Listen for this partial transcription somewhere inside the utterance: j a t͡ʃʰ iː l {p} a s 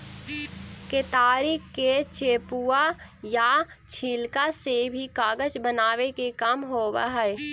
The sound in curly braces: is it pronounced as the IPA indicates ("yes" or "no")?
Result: no